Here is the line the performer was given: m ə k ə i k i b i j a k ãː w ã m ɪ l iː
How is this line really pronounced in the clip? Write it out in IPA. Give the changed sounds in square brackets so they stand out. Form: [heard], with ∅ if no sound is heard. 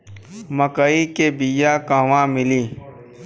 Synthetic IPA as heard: m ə k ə i k [e] b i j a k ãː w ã m ɪ l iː